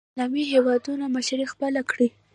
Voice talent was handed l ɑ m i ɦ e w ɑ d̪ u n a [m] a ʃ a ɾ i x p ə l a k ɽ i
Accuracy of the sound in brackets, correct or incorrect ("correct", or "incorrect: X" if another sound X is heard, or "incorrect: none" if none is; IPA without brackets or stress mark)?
correct